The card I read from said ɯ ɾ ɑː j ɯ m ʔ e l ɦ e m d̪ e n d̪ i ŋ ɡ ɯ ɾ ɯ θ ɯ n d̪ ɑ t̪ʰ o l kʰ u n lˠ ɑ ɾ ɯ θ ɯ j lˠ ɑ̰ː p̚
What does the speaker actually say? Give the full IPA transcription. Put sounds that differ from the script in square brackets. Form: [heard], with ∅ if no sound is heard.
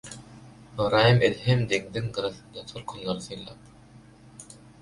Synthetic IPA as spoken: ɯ ɾ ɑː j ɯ m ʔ e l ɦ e m d̪ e [ŋ] d̪ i ŋ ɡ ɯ ɾ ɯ θ ɯ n d̪ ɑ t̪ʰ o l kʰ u n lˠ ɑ ɾ ɯ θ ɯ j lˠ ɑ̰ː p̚